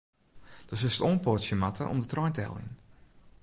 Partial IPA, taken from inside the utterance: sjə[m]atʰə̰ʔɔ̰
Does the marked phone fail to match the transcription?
no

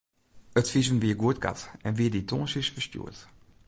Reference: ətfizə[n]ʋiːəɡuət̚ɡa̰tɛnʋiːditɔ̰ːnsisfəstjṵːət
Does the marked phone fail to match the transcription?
no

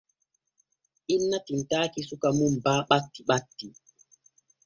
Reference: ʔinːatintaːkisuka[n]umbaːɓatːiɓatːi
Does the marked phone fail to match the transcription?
yes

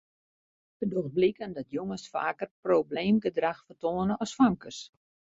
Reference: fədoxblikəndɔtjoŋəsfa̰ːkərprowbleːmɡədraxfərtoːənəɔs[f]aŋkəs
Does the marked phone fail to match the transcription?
no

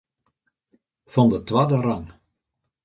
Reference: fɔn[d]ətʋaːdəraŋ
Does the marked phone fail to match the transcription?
no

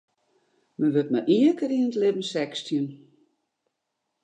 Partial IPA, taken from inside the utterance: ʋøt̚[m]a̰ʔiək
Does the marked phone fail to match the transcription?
no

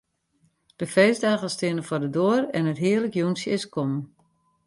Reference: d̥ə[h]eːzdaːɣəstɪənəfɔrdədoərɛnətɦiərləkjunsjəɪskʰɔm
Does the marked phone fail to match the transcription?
yes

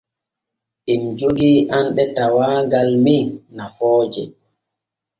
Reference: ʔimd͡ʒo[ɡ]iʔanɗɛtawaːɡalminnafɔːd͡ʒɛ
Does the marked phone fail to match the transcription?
no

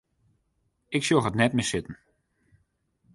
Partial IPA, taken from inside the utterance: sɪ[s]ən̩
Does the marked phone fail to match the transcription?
yes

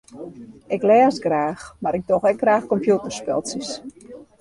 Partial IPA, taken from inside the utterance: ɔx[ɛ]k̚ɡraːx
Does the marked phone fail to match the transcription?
no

